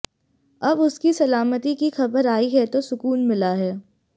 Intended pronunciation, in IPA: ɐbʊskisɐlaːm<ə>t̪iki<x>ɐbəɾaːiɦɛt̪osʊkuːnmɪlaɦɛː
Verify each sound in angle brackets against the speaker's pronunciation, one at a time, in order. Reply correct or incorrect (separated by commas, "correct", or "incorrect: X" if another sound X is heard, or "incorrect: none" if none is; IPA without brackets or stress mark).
correct, correct